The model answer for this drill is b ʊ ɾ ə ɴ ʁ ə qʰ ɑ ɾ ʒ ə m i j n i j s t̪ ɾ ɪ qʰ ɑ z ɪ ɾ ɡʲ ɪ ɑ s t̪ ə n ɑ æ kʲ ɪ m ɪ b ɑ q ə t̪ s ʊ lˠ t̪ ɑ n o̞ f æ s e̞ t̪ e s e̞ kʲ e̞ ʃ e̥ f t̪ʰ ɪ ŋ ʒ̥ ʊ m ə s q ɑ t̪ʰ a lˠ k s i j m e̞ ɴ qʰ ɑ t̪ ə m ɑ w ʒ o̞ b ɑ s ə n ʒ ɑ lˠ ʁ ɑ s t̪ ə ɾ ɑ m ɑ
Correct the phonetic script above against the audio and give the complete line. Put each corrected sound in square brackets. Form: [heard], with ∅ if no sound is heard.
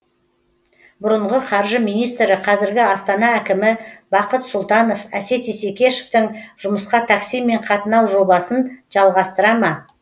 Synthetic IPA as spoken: b ʊ ɾ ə ɴ ʁ ə qʰ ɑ ɾ ʒ ə m i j n i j s t̪ ɾ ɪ qʰ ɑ z ɪ ɾ ɡʲ ɪ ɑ s t̪ [ɑ] n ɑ æ kʲ ɪ m ɪ b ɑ q ə t̪ s ʊ lˠ t̪ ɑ n o̞ f æ s e̞ t̪ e s e̞ kʲ e̞ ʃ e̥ f [t̪] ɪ ŋ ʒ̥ ʊ m ə s q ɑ t̪ʰ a [∅] k s i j m e̞ ɴ qʰ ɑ t̪ ə [n] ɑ w ʒ o̞ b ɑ s ə n ʒ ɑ lˠ ʁ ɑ s t̪ ə ɾ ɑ m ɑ

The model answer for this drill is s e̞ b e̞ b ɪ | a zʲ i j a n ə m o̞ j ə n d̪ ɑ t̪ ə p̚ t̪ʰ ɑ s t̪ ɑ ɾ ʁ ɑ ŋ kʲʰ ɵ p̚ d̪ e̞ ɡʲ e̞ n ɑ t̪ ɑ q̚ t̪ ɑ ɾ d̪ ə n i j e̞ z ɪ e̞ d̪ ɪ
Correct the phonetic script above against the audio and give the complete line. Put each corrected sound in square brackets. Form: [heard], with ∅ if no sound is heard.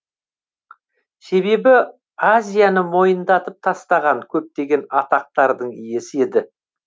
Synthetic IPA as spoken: s e̞ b e̞ b ɪ | a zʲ i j a n ə m o̞ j ə n d̪ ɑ t̪ ə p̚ t̪ʰ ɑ s t̪ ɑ [∅] ʁ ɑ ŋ kʲʰ ɵ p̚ [t̪] e̞ ɡʲ e̞ n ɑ t̪ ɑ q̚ t̪ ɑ ɾ d̪ ə [ɴ] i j e̞ [s] ɪ e̞ d̪ ɪ

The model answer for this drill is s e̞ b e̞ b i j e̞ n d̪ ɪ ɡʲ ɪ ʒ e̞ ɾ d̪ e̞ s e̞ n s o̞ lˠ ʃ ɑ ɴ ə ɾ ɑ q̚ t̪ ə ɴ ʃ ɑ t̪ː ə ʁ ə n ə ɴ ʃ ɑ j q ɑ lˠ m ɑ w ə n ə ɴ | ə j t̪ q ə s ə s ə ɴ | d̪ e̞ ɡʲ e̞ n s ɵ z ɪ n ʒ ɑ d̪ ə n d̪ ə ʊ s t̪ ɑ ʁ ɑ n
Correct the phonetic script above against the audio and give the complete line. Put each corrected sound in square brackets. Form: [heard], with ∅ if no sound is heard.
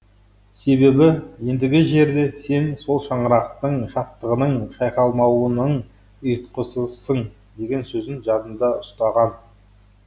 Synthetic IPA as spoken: s e̞ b e̞ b [ɪ] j e̞ n d̪ ɪ ɡʲ ɪ ʒ e̞ ɾ d̪ e̞ s e̞ n s o̞ lˠ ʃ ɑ ɴ ə ɾ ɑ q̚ t̪ ə ɴ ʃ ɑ t̪ː ə ʁ ə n ə ɴ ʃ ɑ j q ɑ lˠ m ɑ w ə n ə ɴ | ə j t̪ q ə s ə s ə ɴ | d̪ e̞ ɡʲ e̞ n s ɵ z ɪ n ʒ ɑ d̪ ə n d̪ [ɑ] ʊ s t̪ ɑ ʁ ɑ n

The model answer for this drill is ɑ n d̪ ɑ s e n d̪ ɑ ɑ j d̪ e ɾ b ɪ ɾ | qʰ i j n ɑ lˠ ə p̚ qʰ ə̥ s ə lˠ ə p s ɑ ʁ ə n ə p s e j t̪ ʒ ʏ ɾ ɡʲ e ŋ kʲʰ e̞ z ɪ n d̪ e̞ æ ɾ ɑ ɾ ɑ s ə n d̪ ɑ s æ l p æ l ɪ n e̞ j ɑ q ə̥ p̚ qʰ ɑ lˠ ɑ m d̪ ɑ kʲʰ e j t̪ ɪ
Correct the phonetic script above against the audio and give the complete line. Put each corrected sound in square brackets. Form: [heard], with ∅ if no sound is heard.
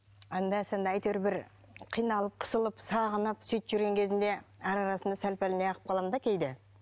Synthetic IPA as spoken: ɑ n d̪ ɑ s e n d̪ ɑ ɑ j [t̪] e ɾ b ɪ ɾ | qʰ i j n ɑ lˠ ə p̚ qʰ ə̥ s ə lˠ ə p s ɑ ʁ ə n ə p s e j t̪ ʒ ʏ ɾ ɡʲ e ŋ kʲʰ e̞ z ɪ n d̪ e̞ æ ɾ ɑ ɾ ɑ s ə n d̪ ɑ s æ l p æ l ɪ n e̞ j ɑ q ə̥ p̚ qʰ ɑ lˠ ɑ m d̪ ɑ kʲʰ e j [d̪] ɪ

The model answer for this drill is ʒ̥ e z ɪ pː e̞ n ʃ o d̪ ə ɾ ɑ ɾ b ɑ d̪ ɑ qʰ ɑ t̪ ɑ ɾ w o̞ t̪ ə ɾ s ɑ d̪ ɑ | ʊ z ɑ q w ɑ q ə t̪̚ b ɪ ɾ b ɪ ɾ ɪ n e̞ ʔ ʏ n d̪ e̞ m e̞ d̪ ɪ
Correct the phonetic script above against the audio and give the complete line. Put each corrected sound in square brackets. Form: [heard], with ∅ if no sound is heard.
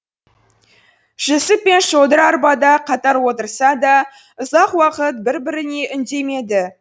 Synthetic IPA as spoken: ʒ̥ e [s] ɪ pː e̞ n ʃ o d̪ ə ɾ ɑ ɾ b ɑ d̪ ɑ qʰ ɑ t̪ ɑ ɾ w o̞ t̪ ə ɾ s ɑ d̪ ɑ | ʊ z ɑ q w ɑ q ə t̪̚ b ɪ ɾ b ɪ ɾ ɪ n e̞ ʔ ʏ n d̪ e̞ m e̞ d̪ ɪ

